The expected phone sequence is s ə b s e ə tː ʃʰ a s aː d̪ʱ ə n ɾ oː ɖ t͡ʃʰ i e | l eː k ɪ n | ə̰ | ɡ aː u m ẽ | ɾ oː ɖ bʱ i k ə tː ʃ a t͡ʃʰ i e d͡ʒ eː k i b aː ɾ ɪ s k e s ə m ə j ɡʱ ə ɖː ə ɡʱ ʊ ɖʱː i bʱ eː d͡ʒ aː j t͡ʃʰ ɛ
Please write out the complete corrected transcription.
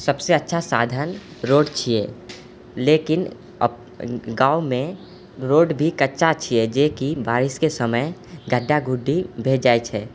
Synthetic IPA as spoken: s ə b s e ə tː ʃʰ a s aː d̪ʱ ə n ɾ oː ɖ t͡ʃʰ i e | l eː k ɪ n | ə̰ | ɡ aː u m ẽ | ɾ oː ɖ bʱ i k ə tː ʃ a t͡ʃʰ i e d͡ʒ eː k i b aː ɾ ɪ s k e s ə m ə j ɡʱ ə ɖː a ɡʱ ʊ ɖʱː i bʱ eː d͡ʒ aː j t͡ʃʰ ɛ